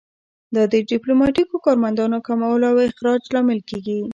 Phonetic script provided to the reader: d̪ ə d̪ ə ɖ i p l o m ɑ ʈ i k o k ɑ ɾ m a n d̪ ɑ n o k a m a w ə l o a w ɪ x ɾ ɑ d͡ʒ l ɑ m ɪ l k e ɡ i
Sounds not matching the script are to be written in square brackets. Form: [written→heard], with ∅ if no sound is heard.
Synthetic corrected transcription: d̪ ə d̪ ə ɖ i p l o m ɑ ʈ i k o k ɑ ɾ m a n d̪ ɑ n o k a m a w ə l o a w ɪ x ɾ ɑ d͡ʒ l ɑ m ɪ l k e ɡ i